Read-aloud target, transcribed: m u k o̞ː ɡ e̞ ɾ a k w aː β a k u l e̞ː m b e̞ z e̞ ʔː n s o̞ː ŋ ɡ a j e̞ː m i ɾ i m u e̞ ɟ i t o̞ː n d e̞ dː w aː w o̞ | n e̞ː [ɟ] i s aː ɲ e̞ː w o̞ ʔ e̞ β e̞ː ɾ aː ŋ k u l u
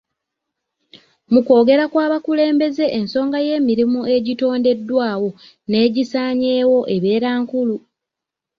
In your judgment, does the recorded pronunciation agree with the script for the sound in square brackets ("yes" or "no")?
yes